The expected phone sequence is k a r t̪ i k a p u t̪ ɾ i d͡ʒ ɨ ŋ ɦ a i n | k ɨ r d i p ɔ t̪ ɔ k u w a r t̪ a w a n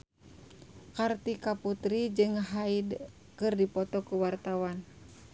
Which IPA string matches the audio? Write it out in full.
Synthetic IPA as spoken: k a r t̪ i k a p u t̪ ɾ i d͡ʒ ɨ ŋ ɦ a i d | k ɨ r d i p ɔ t̪ ɔ k u w a r t̪ a w a n

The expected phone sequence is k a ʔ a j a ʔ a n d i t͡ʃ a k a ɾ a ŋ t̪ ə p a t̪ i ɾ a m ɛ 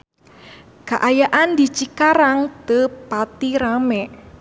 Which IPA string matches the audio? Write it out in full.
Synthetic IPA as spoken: k a ʔ a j a ʔ a n d i t͡ʃ i k a ɾ a ŋ t̪ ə p a t̪ i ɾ a m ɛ

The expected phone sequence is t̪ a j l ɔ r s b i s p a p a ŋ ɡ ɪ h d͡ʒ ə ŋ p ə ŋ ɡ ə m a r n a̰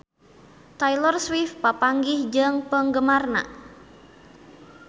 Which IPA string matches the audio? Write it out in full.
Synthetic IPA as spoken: t̪ a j l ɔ r s w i f p a p a ŋ ɡ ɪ h d͡ʒ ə ŋ p ə ŋ ɡ ə m a r n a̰

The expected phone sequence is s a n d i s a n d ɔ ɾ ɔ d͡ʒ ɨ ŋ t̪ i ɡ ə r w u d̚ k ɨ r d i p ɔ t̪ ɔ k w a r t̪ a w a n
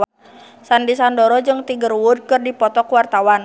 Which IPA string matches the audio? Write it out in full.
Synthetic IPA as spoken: s a n d i s a n d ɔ ɾ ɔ d͡ʒ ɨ ŋ t̪ i ɡ ə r w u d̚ k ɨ r d i p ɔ t̪ ɔ k w a r t̪ a w a n

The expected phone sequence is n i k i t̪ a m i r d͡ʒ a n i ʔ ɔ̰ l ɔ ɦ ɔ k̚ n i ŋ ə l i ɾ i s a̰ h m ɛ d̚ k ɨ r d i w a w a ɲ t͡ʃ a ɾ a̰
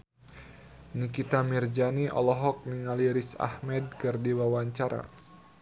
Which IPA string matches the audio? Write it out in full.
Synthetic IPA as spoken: n i k i t̪ a m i r d͡ʒ a n i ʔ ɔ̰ l ɔ ɦ ɔ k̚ n i ŋ a l i ɾ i s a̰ h m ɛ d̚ k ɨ r d i w a w a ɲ t͡ʃ a ɾ a̰

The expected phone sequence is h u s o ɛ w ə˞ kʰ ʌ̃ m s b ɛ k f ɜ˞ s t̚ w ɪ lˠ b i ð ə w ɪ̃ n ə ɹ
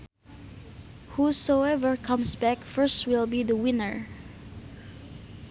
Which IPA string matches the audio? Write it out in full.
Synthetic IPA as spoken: h u s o ɛ v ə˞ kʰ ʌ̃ m s b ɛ k f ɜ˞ s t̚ w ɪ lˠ b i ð ə w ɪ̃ n ə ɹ

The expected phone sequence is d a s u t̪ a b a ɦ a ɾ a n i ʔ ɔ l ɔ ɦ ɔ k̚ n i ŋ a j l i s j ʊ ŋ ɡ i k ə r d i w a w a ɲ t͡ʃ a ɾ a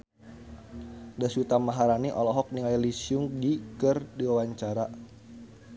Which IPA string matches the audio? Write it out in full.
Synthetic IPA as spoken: d a s u t̪ a m a ɦ a ɾ a n i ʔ ɔ l ɔ ɦ ɔ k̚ n i ŋ a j l i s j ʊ ŋ d i k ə r d i w a w a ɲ t͡ʃ a ɾ a

